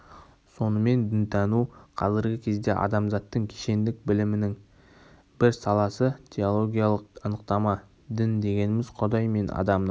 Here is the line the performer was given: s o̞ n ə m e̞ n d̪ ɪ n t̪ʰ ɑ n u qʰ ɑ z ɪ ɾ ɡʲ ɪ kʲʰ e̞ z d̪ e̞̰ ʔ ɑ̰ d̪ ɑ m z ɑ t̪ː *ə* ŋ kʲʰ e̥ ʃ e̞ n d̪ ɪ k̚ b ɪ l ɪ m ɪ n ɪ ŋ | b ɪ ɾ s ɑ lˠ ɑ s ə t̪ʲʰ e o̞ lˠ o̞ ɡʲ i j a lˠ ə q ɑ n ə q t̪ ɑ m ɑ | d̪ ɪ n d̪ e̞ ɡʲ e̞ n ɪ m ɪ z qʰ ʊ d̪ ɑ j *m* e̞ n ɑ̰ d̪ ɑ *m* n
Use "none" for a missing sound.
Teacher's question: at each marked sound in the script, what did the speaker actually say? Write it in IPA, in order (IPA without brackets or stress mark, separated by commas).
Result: ə, m, m